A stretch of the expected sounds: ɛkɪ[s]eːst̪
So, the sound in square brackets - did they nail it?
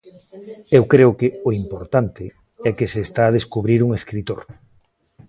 yes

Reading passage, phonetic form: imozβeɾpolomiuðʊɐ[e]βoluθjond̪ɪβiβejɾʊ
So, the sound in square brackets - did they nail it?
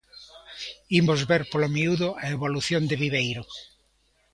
yes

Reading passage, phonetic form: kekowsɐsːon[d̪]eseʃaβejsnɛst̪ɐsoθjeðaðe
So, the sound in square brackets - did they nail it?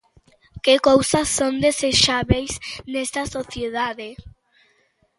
yes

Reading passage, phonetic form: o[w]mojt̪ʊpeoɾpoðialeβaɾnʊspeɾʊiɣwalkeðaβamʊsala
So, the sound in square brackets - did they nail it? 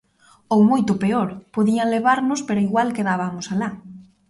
yes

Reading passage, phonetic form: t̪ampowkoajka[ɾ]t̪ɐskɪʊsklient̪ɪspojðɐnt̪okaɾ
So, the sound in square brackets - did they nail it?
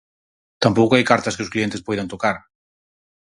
yes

